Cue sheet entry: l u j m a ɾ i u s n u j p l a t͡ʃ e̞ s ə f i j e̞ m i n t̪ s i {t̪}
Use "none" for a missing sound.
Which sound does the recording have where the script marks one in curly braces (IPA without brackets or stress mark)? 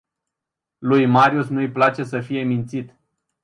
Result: t̪